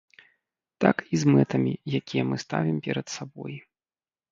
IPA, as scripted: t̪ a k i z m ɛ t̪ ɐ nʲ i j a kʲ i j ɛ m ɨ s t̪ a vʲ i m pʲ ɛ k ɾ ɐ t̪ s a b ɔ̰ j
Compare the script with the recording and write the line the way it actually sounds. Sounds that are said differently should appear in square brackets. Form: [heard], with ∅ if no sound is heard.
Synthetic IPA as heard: t̪ a k i z m ɛ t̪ ɐ [mʲ] i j a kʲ i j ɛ m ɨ s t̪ a vʲ i m pʲ ɛ [∅] ɾ ɐ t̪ s a b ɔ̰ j